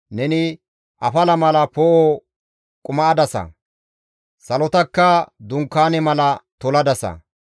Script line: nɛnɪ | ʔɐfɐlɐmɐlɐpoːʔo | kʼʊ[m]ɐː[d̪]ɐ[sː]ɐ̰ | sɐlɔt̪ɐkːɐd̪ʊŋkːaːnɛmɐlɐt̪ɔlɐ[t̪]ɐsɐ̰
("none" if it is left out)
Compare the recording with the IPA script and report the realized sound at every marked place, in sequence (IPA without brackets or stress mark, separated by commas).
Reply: m, d̪, s, d̪